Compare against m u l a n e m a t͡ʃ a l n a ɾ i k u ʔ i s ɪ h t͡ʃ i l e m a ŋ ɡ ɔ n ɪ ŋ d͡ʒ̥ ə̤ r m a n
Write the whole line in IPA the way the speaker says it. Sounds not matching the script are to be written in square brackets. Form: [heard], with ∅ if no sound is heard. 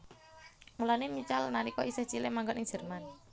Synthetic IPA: m u l a n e m [i] t͡ʃ a l n a ɾ i k [ɔ] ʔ i s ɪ h t͡ʃ i l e m a ŋ ɡ ɔ n ɪ ŋ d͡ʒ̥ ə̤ r m a n